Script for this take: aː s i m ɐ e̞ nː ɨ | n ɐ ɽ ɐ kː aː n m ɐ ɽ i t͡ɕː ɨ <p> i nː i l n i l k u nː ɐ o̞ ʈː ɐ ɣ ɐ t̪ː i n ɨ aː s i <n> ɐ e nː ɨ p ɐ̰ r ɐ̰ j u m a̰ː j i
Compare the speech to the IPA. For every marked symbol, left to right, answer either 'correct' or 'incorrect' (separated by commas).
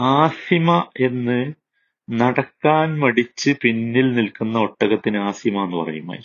correct, incorrect